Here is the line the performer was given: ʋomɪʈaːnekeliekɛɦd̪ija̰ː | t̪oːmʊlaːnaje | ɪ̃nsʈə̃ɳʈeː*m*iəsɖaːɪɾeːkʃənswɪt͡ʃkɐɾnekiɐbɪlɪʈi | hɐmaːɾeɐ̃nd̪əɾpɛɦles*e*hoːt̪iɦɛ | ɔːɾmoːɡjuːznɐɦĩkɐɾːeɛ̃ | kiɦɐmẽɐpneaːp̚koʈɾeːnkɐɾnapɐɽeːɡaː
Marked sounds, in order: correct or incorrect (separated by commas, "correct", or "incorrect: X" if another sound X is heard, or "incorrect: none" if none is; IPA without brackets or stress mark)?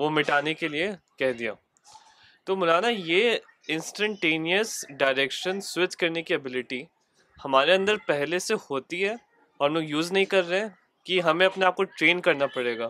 incorrect: n, correct